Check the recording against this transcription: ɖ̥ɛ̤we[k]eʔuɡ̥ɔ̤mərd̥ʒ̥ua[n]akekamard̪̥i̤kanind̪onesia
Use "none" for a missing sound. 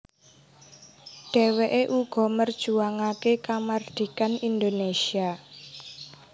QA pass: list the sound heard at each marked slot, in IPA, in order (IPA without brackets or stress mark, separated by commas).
ʔ, ŋ